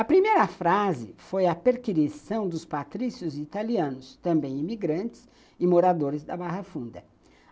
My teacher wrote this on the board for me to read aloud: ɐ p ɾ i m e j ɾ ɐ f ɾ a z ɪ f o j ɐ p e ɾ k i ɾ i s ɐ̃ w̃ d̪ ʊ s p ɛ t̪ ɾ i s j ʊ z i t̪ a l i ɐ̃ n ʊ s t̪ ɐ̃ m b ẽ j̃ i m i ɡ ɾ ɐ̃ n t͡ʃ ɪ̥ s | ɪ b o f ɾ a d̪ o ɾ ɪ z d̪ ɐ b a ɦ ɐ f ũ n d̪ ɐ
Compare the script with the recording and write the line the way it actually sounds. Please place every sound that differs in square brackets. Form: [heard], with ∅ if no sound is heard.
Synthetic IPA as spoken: ɐ p ɾ i m e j ɾ ɐ f ɾ a z ɪ f o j ɐ p e ɾ k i ɾ i s ɐ̃ w̃ d̪ ʊ s p [a] t̪ ɾ i s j ʊ z i t̪ a l i ɐ̃ n ʊ s t̪ ɐ̃ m b ẽ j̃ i m i ɡ ɾ ɐ̃ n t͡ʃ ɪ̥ s | ɪ [m] o [∅] ɾ a d̪ o ɾ ɪ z d̪ ɐ b a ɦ ɐ f ũ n d̪ ɐ